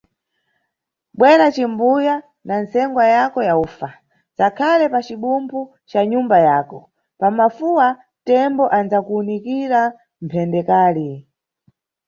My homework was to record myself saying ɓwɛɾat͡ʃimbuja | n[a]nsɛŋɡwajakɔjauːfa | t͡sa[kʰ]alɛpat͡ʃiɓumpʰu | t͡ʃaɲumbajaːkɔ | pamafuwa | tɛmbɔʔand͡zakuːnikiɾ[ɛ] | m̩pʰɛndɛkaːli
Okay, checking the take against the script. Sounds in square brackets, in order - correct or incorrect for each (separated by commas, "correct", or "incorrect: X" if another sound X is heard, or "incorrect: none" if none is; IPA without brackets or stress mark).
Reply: correct, correct, incorrect: a